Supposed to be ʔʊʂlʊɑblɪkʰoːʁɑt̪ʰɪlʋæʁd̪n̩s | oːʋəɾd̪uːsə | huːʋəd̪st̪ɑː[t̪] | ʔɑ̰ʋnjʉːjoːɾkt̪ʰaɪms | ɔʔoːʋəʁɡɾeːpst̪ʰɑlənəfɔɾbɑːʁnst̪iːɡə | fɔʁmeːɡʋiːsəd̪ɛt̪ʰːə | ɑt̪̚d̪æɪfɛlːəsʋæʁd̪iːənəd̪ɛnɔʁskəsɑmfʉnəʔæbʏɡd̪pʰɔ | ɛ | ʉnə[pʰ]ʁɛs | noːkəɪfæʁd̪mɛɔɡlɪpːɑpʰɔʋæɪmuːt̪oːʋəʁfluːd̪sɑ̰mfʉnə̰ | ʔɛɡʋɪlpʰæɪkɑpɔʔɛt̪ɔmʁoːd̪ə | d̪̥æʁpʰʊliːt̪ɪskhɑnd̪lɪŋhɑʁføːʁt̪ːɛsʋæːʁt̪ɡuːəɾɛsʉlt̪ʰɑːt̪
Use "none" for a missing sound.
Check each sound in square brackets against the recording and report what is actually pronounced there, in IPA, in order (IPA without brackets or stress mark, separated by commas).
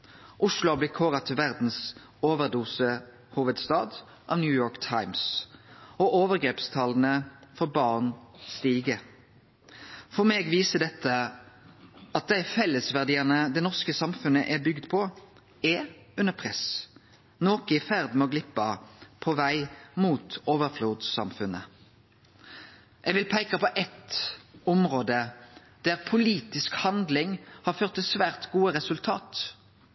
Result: d̪, pʰ